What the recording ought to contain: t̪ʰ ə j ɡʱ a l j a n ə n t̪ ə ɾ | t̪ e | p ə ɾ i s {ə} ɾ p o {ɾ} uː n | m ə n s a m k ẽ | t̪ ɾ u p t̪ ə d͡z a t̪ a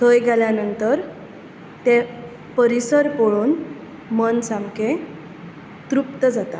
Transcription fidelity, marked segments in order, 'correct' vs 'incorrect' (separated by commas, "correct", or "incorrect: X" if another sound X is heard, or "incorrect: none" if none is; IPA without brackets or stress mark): correct, incorrect: ɭ